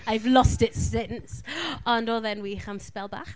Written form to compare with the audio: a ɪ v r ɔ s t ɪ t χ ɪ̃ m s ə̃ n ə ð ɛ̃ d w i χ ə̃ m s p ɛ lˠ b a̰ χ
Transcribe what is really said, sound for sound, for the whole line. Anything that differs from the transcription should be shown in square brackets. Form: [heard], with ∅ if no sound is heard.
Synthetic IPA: a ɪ v [l] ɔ s t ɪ t [s] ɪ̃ [n] s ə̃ n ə ð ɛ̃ [n] w i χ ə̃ m s p ɛ lˠ b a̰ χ